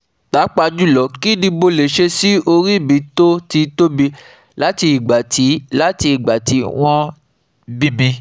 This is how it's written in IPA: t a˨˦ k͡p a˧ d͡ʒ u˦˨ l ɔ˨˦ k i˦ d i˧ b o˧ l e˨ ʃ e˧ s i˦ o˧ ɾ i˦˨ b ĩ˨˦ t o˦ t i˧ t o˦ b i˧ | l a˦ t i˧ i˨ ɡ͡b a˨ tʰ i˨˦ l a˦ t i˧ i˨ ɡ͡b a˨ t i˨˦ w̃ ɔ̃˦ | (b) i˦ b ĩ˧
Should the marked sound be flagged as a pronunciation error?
no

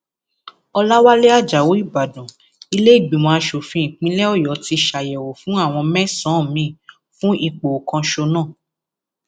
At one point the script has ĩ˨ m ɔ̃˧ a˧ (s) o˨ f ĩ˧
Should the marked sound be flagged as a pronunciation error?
yes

